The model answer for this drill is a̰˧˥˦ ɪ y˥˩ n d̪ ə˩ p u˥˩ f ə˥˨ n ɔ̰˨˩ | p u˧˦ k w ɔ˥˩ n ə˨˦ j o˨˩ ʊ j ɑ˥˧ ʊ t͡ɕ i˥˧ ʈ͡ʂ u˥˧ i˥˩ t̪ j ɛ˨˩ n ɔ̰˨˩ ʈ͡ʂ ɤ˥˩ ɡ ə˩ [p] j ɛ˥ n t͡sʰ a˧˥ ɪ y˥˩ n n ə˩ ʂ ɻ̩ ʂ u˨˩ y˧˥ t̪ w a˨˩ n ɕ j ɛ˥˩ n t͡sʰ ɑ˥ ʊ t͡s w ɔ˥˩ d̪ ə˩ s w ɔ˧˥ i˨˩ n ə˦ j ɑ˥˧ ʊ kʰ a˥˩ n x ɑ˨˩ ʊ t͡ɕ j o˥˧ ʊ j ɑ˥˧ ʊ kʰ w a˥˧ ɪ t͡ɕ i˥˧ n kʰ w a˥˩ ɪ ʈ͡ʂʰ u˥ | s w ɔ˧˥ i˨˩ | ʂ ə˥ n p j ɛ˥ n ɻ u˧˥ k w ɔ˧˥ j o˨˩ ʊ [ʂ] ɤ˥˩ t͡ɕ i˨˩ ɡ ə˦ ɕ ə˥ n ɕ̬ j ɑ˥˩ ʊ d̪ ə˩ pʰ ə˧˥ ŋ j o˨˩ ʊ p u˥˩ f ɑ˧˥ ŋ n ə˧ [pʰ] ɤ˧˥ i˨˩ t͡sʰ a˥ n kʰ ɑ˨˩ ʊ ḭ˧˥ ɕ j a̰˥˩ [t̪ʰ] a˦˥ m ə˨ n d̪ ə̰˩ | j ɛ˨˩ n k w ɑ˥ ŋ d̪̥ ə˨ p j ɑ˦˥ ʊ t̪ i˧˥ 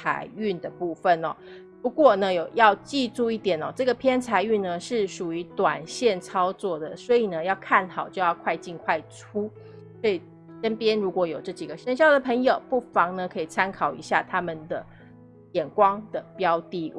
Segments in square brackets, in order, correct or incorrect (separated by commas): incorrect, incorrect, incorrect, correct